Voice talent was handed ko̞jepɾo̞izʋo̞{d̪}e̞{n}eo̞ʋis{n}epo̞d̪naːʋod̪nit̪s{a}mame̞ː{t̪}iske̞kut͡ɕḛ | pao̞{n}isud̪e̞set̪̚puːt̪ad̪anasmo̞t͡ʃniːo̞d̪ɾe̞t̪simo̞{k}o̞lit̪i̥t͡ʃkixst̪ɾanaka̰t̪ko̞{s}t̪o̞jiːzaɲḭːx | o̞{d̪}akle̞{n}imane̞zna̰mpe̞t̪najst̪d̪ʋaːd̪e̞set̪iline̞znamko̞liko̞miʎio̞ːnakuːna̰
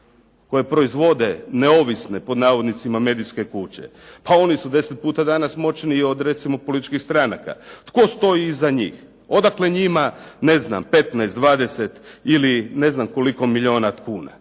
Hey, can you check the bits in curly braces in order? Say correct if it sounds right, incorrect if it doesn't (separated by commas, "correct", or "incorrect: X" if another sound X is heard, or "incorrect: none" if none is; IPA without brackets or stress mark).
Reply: correct, correct, correct, incorrect: i, incorrect: d̪, correct, incorrect: p, correct, correct, incorrect: ɲ